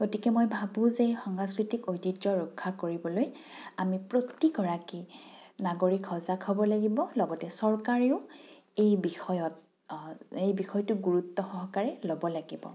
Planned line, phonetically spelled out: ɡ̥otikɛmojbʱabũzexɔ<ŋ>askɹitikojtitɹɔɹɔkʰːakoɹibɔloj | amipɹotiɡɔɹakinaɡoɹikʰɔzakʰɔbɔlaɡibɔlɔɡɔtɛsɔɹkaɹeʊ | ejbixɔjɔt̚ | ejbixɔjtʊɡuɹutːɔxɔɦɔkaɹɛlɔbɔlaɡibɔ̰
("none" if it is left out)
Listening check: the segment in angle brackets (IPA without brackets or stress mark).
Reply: ŋ